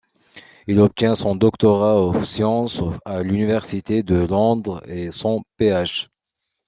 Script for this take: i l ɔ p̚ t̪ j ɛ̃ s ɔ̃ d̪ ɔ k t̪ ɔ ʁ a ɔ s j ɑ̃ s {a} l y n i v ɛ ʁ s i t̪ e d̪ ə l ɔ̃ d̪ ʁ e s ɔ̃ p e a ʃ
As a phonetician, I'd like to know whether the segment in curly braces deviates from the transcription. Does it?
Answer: no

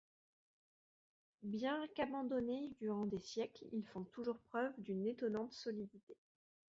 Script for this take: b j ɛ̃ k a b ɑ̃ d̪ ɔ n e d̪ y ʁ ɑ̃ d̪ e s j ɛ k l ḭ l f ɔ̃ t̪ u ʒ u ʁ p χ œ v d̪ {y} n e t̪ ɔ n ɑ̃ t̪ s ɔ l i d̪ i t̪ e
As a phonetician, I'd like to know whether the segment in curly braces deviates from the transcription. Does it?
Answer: no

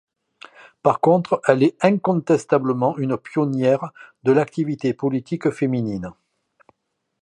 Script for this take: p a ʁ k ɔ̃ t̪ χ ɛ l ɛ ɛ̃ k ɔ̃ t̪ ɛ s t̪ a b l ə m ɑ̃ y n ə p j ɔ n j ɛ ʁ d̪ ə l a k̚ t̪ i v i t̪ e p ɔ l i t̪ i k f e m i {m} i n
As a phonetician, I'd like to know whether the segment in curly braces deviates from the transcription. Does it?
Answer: yes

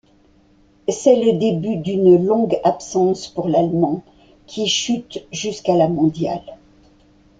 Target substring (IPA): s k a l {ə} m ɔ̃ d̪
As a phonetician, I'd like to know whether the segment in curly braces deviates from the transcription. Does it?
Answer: yes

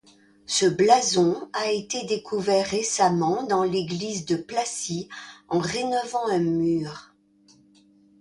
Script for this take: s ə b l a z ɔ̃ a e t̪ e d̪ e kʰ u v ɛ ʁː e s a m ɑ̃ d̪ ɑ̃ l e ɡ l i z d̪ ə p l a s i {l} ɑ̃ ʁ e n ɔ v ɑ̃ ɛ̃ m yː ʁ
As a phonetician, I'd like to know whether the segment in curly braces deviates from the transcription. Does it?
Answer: yes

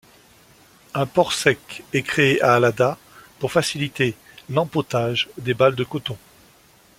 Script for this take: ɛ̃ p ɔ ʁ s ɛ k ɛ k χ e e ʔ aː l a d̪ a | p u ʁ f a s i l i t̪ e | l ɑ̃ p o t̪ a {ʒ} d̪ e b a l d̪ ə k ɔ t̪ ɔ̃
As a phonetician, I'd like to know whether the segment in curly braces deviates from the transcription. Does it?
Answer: no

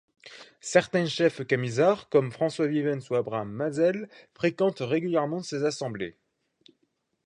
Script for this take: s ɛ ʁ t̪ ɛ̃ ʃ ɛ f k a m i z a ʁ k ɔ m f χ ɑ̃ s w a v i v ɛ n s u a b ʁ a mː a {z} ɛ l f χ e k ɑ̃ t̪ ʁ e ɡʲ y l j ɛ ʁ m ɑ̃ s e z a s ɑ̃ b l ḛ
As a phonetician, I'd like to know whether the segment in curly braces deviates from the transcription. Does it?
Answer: no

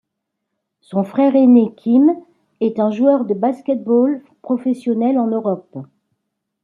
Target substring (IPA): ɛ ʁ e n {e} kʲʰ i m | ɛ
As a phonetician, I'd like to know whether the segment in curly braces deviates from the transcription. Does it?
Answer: no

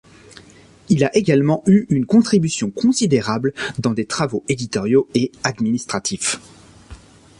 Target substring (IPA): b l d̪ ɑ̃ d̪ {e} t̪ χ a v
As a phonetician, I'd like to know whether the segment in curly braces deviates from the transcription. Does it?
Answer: no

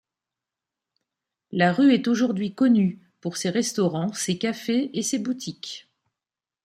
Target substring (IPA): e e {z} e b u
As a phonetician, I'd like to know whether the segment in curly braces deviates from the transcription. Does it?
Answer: yes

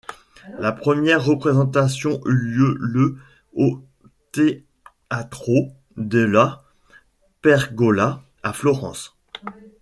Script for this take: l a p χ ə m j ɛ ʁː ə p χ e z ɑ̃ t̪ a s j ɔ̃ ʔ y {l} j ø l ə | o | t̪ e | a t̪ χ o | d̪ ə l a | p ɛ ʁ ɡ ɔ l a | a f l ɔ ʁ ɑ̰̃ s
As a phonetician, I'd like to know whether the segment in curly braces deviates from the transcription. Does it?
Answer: no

